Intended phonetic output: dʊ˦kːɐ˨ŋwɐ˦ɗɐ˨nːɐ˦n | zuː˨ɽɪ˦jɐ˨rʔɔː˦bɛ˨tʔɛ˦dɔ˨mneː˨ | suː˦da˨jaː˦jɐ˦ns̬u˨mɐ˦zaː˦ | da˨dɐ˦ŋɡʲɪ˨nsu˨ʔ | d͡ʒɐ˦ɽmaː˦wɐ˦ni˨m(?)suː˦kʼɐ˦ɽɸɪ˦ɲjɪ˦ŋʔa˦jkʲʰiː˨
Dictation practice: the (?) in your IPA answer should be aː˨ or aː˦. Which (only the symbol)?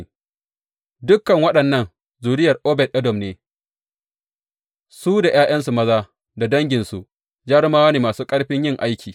aː˨